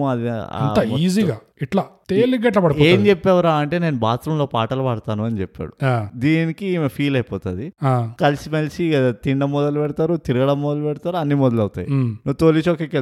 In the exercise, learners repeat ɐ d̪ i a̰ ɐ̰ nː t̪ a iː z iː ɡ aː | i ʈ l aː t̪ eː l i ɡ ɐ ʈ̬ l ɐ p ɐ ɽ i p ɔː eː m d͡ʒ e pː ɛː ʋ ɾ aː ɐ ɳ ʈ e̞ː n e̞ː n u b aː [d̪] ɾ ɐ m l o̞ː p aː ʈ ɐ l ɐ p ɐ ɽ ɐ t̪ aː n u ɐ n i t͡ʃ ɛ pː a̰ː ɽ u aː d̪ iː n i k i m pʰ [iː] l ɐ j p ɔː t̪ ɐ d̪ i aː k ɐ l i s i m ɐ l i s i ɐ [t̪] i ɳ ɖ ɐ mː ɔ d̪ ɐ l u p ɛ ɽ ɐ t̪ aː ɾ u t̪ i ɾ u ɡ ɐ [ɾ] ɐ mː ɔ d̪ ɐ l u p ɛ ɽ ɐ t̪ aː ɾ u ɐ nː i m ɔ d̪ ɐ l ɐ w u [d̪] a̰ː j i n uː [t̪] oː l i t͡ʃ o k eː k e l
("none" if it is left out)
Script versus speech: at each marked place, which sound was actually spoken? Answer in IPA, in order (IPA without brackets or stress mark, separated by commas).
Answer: t̪, iː, t̪, ɽ, t̪, t̪